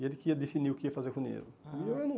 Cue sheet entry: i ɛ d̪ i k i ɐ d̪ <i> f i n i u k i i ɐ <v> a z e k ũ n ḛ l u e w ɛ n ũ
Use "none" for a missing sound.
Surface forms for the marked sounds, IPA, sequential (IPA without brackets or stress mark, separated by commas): e, f